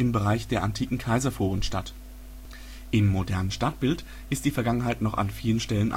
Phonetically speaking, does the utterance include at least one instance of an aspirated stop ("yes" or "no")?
yes